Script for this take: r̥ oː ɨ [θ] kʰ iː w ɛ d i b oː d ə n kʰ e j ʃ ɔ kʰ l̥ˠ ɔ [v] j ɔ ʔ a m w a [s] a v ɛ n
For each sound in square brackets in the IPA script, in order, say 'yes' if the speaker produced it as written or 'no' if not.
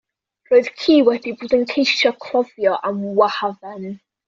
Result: no, yes, no

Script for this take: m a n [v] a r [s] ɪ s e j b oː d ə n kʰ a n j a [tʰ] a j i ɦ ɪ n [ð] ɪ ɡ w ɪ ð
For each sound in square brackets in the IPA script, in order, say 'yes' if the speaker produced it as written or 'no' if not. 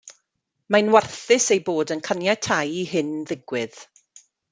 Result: no, no, yes, yes

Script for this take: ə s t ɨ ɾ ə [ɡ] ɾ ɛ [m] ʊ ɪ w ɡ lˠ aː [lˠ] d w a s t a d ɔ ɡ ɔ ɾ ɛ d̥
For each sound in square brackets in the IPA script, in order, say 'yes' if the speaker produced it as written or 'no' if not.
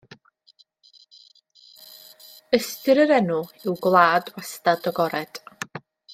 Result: no, no, no

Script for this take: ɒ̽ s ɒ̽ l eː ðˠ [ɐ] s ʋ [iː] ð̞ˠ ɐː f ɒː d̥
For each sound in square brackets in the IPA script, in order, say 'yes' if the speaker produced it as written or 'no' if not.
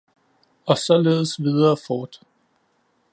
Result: no, no

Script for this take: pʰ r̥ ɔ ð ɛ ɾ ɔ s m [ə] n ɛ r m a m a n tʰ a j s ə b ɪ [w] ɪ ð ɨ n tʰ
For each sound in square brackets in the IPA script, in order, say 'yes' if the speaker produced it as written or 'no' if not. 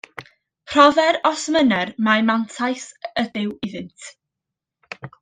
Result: yes, yes

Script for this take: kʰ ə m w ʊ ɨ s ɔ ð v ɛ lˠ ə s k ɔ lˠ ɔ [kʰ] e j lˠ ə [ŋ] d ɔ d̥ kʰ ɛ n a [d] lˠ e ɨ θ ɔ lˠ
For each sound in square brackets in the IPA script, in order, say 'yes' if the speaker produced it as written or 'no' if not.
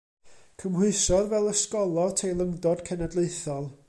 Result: no, yes, yes

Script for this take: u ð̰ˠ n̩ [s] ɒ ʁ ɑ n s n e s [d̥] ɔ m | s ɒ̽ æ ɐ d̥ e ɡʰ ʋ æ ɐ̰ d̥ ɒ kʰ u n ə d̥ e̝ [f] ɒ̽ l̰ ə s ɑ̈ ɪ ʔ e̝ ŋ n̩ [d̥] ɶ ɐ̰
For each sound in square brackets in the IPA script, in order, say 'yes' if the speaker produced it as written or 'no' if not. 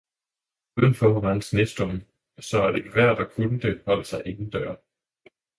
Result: no, yes, no, yes

